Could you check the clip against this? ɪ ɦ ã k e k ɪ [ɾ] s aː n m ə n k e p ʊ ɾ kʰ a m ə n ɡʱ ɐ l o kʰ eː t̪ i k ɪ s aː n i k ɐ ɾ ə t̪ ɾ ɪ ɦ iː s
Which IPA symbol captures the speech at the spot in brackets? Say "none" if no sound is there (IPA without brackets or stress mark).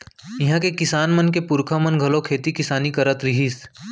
none